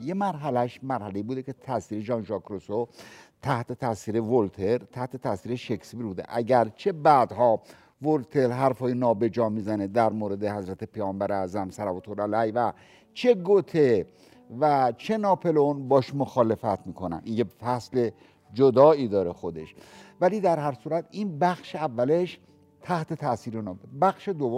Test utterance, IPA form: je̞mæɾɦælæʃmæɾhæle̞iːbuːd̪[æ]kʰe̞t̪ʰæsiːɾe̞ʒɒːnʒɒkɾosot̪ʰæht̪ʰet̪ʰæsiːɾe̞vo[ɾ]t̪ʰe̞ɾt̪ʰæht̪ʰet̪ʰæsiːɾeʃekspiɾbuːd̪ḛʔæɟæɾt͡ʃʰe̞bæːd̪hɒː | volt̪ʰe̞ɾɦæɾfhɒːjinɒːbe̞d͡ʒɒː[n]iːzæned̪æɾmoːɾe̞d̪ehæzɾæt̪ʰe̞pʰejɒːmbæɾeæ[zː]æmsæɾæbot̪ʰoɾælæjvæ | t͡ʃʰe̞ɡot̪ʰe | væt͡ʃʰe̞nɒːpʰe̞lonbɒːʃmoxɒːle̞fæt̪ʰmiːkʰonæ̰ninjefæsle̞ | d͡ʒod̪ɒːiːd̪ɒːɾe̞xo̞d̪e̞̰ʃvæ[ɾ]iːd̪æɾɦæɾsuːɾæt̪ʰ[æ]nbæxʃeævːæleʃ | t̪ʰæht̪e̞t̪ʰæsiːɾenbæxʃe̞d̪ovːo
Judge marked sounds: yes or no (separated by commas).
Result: no, no, no, no, no, no